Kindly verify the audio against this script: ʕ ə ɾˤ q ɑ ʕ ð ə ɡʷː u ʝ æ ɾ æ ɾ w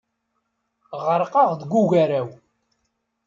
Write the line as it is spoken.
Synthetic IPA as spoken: ʁ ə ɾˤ q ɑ ʁ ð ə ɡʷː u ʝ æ ɾ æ w